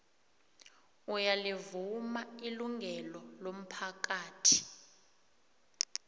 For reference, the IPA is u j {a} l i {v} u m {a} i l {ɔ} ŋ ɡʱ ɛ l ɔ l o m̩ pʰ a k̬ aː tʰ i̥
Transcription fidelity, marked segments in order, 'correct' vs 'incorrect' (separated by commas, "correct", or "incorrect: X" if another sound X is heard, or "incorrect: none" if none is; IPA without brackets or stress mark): correct, correct, correct, incorrect: u